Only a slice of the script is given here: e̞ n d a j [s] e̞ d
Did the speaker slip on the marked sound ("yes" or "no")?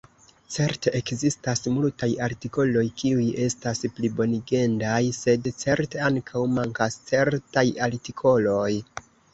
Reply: no